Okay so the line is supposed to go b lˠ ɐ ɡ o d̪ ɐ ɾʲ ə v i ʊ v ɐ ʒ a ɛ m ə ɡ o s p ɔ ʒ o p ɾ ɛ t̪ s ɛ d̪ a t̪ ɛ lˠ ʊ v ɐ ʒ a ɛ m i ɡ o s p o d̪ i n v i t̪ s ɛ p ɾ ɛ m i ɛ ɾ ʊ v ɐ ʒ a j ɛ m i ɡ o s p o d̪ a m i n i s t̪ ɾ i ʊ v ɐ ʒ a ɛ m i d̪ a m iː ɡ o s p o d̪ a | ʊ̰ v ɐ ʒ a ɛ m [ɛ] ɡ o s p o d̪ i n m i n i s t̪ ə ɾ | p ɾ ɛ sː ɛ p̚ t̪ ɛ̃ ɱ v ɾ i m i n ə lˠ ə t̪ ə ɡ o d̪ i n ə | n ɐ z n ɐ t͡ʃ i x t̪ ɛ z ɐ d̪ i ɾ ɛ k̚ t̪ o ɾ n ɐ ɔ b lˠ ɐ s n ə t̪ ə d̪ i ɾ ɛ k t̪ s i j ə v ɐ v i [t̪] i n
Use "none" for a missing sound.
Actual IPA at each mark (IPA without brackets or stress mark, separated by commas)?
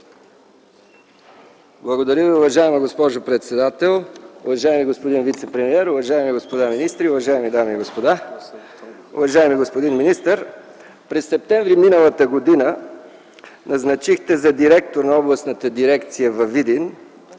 i, d̪